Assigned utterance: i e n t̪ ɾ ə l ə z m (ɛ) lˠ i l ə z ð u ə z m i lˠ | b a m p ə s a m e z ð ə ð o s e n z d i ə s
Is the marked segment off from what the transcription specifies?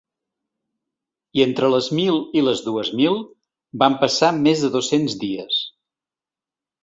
yes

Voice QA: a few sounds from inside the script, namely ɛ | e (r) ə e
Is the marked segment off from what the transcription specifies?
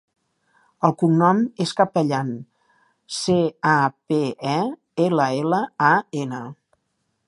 yes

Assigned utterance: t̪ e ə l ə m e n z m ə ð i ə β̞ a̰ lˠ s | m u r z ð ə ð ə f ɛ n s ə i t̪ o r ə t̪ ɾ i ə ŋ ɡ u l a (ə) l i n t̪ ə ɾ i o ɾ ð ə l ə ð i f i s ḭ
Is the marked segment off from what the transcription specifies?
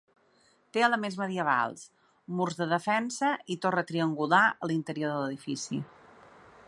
no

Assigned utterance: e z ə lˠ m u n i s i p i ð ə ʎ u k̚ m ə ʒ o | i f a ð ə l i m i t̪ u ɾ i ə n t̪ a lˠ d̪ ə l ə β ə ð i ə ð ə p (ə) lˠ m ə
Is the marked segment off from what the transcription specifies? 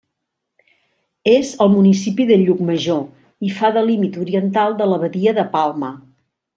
yes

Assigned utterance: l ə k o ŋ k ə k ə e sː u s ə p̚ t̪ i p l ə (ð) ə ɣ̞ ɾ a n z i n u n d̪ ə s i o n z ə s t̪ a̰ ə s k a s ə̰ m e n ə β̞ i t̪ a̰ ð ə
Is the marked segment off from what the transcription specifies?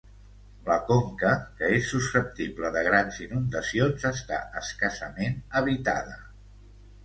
no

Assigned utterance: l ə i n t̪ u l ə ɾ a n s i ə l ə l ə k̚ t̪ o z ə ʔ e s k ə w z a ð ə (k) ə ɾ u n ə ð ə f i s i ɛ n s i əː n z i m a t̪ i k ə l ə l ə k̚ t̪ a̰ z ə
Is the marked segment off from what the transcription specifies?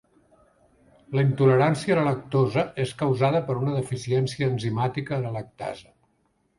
yes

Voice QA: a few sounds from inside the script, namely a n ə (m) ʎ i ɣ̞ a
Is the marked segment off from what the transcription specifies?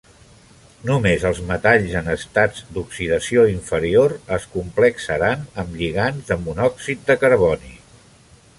no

